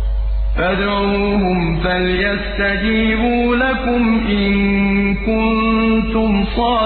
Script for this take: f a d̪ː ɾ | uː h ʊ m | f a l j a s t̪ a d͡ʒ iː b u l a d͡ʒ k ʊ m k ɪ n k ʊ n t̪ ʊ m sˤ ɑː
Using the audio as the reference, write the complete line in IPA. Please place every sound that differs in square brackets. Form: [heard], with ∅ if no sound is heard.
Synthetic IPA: f a [d̪] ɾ | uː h ʊ m | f a l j a s t̪ a d͡ʒ iː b [uː] l a [∅] k ʊ m [ʔ] ɪ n k ʊ n t̪ ʊ m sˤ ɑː